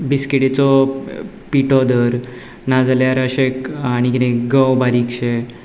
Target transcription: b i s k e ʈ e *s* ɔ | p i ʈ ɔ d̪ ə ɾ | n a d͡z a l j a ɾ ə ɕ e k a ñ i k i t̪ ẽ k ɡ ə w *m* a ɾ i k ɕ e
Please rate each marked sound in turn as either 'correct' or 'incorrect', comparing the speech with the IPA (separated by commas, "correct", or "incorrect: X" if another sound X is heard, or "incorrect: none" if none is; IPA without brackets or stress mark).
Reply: incorrect: t͡s, incorrect: b